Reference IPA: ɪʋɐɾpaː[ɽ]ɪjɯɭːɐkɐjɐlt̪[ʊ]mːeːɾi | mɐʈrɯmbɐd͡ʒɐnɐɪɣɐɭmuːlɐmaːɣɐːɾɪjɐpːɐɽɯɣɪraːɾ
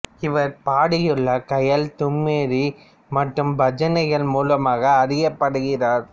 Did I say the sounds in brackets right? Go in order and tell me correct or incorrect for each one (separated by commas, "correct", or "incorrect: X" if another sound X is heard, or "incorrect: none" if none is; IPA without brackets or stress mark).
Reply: correct, correct